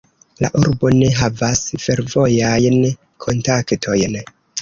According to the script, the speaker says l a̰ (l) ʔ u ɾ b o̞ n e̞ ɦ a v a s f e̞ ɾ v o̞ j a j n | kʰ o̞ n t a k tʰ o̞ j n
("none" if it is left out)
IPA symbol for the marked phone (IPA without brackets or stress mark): none